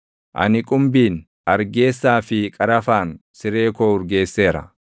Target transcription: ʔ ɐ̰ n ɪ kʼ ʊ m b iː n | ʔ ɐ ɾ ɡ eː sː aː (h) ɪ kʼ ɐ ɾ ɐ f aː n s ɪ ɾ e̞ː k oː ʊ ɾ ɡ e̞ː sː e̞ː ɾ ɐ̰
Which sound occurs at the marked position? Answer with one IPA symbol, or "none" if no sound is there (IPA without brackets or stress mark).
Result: f